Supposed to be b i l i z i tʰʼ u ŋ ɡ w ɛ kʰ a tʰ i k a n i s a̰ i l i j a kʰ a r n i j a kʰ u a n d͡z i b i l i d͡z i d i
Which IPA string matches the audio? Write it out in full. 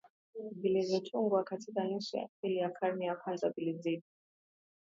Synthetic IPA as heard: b i l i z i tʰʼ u ŋ ɡ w a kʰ a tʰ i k a n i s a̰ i l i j a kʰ a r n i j a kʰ w a n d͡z a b i l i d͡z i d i